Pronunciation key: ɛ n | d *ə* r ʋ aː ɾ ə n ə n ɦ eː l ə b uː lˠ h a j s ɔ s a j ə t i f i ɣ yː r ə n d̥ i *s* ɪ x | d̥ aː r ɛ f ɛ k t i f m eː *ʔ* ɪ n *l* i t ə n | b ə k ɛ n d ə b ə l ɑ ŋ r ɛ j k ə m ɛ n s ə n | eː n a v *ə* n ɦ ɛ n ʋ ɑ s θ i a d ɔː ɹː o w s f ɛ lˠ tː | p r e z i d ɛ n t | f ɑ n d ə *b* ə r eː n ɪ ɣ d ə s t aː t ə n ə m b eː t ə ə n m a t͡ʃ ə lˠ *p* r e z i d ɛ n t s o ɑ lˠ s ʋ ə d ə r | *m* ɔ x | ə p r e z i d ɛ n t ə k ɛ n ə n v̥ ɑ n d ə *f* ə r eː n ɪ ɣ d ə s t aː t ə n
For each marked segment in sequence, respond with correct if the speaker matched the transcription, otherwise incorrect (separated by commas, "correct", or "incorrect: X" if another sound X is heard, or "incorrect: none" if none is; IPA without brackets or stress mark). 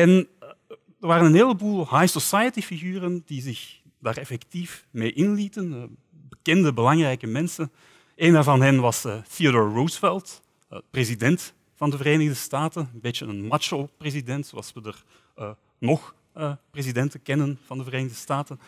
correct, incorrect: z, correct, correct, incorrect: ɑ, incorrect: v, correct, incorrect: n, incorrect: v